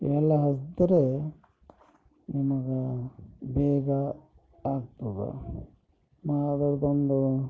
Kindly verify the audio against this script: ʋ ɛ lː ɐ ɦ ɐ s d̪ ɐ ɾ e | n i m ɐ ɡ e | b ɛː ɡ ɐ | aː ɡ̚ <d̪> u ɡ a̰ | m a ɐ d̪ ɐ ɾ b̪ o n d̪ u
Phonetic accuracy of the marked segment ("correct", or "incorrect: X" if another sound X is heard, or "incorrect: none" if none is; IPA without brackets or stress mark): incorrect: t̪